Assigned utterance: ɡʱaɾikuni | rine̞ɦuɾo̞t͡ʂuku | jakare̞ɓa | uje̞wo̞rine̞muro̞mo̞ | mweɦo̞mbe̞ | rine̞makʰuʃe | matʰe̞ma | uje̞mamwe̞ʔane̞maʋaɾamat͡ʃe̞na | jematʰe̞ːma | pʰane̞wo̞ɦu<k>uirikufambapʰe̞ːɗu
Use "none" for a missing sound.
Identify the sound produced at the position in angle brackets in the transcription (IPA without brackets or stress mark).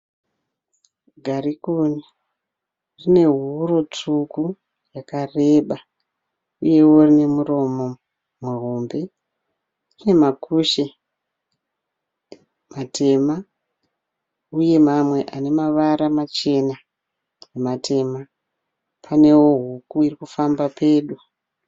k